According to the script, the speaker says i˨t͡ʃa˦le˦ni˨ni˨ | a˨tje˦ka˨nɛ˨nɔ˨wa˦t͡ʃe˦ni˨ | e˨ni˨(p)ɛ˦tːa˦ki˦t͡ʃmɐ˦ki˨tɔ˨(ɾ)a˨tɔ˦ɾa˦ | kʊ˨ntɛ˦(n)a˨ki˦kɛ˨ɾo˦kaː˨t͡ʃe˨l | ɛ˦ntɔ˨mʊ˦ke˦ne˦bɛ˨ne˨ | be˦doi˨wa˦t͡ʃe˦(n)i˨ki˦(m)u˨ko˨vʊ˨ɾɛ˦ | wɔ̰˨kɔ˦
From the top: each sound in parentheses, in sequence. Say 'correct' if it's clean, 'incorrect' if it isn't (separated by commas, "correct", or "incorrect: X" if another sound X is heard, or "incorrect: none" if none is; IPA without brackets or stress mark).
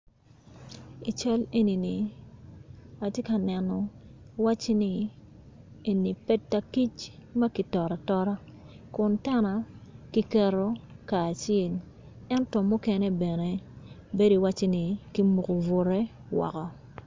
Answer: correct, correct, correct, correct, correct